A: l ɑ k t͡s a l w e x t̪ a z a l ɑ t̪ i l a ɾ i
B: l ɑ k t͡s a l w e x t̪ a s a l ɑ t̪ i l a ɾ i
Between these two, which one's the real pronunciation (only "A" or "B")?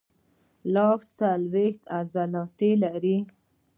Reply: A